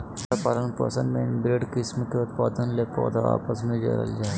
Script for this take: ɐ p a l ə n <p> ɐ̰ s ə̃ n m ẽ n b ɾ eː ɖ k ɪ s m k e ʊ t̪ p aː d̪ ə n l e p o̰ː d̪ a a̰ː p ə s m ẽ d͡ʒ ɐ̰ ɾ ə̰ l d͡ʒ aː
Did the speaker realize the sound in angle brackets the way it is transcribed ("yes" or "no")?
yes